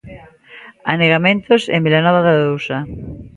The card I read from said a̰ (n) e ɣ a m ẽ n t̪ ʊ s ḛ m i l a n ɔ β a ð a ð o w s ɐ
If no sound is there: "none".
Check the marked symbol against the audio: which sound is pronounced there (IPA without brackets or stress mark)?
n